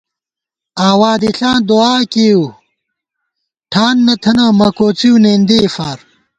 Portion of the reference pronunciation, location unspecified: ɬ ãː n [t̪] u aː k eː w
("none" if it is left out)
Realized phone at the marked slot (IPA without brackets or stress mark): d̪